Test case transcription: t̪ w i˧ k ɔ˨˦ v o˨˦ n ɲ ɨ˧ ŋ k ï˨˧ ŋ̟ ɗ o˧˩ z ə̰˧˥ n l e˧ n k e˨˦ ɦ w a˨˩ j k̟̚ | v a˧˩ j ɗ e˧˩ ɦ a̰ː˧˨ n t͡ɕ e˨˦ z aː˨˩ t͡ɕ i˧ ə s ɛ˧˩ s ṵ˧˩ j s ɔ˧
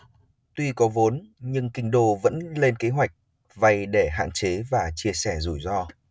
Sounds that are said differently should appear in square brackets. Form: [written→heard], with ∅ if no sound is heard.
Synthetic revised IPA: t̪ w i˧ k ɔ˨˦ v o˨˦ n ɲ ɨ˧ ŋ k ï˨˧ ŋ̟ ɗ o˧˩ [z→v] ə̰˧˥ n l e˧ n k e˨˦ ɦ w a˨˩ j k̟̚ | v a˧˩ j ɗ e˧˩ ɦ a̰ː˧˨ n t͡ɕ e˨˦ [z→v] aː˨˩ t͡ɕ i˧ ə s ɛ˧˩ [s→z] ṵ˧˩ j [s→z] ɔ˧